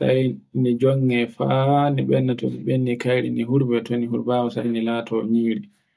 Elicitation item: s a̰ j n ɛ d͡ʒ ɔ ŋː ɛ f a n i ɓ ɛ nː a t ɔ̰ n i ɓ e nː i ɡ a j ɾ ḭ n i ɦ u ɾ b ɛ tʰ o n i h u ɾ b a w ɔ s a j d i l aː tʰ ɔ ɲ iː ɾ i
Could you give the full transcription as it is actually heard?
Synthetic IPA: s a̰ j n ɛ d͡ʒ ɔ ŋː ɛ f a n i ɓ ɛ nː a t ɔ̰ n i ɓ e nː i k a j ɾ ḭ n i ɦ u ɾ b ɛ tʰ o n i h u ɾ b a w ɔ s a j n i l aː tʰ ɔ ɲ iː ɾ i